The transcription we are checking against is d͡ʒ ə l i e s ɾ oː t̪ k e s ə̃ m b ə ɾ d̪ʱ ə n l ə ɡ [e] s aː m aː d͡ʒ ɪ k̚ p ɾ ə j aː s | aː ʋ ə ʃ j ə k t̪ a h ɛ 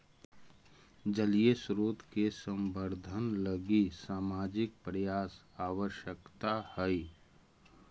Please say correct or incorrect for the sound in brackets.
incorrect